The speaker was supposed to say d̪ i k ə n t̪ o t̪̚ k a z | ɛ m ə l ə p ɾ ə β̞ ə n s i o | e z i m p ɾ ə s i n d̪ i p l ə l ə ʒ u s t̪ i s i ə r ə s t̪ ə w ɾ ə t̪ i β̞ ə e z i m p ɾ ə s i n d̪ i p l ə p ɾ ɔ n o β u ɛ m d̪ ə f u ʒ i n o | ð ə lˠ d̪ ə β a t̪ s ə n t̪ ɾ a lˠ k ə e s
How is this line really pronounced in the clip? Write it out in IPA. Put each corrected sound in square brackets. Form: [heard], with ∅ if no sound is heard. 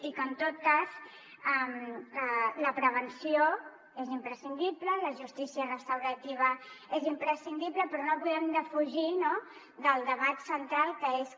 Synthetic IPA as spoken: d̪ i k ə n t̪ o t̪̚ k a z | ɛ m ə l ə p ɾ ə β̞ ə n s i o | e z i m p ɾ ə s i n d̪ i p l ə l ə ʒ u s t̪ i s i ə r ə s t̪ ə w ɾ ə t̪ i β̞ ə e z i m p ɾ ə s i n d̪ i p l ə p ɾ ɔ n o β u ɛ m d̪ ə f u ʒ i n o | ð ə lˠ d̪ ə β a t̪ s ə n t̪ ɾ a lˠ k ə e s